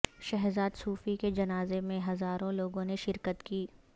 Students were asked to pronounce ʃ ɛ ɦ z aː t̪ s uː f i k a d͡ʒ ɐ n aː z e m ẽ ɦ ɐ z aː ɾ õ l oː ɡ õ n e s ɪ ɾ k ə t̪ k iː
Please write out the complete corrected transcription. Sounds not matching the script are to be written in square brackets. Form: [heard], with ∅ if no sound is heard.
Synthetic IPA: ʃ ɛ ɦ z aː [d̪] s uː f i k [e] d͡ʒ ɐ n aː z e m ẽ ɦ ɐ z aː ɾ õ l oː ɡ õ n e [ʃ] ɪ ɾ k ə t̪ k iː